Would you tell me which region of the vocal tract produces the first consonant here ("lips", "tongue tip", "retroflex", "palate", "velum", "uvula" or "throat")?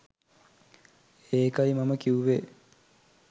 velum